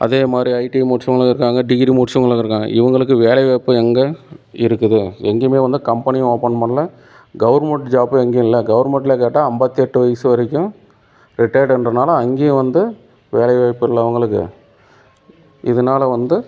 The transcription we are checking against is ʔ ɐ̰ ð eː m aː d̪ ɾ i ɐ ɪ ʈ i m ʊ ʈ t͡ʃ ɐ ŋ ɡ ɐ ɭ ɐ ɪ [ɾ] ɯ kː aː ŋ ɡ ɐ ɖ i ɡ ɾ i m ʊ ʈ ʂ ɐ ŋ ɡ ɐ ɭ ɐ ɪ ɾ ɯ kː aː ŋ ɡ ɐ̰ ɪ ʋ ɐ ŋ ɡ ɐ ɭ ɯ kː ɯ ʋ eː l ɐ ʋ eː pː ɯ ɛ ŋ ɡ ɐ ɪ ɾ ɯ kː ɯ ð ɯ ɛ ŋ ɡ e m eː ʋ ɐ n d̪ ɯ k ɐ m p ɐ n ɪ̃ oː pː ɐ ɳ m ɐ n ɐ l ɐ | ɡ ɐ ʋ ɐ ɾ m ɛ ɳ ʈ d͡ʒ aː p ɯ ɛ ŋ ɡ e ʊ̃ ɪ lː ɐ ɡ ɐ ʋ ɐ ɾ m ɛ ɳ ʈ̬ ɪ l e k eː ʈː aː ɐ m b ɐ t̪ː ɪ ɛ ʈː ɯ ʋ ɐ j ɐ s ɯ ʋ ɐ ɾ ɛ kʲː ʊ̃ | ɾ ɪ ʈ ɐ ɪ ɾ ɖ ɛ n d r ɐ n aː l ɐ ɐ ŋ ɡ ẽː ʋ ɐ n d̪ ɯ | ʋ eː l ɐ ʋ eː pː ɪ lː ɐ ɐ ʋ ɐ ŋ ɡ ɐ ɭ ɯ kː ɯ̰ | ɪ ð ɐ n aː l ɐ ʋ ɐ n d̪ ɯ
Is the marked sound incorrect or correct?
correct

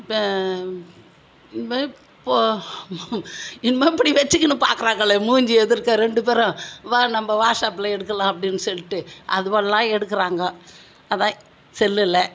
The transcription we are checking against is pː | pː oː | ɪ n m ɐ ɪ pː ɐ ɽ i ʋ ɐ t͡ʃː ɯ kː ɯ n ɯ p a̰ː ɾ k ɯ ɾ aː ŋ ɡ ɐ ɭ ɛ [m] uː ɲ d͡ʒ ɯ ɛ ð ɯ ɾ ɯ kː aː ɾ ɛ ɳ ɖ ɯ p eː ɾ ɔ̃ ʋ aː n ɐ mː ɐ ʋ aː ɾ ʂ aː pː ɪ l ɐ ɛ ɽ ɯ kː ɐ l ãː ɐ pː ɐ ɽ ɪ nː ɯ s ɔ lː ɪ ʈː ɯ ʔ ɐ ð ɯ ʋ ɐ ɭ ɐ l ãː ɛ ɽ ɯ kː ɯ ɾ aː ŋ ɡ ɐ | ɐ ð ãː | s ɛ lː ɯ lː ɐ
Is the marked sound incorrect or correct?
correct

